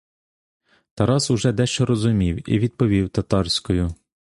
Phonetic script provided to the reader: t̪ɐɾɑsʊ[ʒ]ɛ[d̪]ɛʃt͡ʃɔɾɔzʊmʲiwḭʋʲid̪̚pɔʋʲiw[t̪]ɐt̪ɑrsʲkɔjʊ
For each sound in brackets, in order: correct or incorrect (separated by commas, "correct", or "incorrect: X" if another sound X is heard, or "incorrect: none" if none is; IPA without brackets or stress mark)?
correct, correct, correct